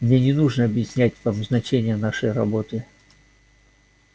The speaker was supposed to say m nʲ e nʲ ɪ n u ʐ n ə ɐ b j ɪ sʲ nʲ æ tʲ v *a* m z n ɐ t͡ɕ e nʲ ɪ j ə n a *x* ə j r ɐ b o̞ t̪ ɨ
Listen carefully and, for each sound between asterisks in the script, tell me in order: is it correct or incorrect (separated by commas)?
correct, incorrect